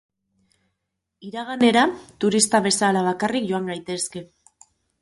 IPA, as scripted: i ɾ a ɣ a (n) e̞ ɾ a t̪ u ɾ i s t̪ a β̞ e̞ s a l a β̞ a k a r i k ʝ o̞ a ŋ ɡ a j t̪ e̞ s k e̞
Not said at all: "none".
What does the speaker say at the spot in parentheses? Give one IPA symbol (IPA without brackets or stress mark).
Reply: n